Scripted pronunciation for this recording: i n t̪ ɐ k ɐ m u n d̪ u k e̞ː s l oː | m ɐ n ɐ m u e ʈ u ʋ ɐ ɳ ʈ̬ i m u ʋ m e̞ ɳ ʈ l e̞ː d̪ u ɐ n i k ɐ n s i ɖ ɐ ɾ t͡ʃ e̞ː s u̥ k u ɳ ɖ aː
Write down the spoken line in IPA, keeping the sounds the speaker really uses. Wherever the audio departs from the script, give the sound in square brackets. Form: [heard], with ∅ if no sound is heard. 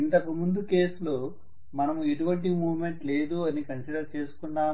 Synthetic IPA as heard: i n t̪ ɐ k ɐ m u n d̪ u k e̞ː s l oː | m ɐ n ɐ m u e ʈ u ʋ ɐ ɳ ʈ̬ i m [uː] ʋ m e̞ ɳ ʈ l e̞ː d̪ u ɐ n i k ɐ n s i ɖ ɐ ɾ t͡ʃ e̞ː s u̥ k u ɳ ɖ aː